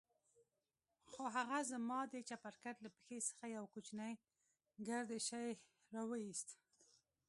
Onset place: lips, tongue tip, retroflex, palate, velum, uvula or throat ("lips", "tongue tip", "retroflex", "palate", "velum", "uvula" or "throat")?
velum